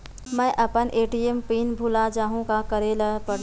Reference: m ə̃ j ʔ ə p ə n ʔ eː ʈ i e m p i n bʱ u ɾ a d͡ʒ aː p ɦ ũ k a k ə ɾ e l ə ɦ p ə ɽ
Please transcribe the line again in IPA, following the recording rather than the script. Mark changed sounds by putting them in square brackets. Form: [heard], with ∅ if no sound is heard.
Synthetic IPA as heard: m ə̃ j ʔ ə p ə n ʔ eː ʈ i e m p i n bʱ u [l] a d͡ʒ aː [∅] ɦ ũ k a k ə ɾ e l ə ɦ p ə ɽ